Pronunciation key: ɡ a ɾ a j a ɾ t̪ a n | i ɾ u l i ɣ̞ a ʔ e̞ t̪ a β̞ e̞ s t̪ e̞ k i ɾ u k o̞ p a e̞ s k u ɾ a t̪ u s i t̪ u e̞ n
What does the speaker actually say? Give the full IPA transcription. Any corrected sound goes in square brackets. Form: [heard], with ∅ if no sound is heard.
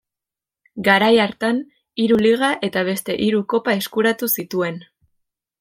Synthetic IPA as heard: ɡ a ɾ a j a ɾ t̪ a n | i ɾ u l i ɣ̞ a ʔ e̞ t̪ a β̞ e̞ s t̪ e̞ [ʔ] i ɾ u k o̞ p a e̞ s k u ɾ a t̪ u s i t̪ u e̞ n